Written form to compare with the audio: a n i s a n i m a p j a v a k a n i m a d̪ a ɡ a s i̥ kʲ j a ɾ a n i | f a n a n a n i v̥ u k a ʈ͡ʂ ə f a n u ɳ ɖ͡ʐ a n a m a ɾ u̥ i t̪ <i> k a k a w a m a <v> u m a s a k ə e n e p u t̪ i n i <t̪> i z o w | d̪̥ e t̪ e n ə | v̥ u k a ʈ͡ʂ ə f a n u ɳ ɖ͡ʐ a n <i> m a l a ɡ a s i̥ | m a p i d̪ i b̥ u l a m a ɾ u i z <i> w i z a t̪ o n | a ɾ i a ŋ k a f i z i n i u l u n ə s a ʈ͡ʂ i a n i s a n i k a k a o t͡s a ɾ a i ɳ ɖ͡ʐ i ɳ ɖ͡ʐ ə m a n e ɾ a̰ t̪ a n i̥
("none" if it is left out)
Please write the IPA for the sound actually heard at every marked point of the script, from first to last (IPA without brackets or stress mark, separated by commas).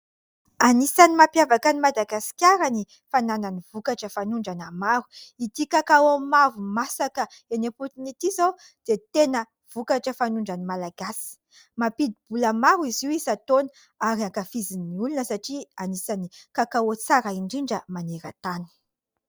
i, v, t̪, i, i